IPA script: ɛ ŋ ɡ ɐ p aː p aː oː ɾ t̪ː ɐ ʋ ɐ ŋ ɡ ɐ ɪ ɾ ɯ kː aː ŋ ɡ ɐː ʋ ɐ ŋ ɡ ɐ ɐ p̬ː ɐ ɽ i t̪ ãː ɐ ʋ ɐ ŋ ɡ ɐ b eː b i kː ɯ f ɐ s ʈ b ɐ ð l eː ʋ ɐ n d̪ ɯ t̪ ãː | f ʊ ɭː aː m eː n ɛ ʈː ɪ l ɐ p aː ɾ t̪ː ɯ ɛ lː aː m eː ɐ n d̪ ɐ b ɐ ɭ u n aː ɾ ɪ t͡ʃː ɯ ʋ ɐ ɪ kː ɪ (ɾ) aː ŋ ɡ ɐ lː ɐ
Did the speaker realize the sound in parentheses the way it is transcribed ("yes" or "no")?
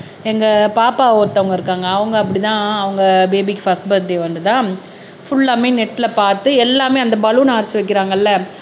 yes